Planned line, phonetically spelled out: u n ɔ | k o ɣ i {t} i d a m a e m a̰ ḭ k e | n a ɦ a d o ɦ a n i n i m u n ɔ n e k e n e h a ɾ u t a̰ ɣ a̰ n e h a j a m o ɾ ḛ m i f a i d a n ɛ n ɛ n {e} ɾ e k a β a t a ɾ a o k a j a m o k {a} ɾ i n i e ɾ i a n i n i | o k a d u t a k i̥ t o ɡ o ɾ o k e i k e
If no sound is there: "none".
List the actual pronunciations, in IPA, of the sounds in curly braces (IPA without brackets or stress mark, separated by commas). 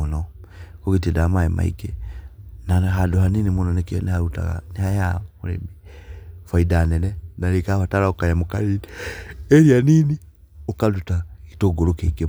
t, a, a